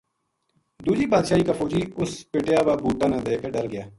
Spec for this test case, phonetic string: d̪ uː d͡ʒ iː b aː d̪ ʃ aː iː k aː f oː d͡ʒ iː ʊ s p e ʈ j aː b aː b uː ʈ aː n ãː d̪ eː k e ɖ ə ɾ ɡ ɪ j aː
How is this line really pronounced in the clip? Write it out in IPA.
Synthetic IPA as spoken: d̪ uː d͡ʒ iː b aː d̪ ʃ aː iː k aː f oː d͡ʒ iː ʊ s p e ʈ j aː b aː b uː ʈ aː n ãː d̪ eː k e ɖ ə ɾ ɡ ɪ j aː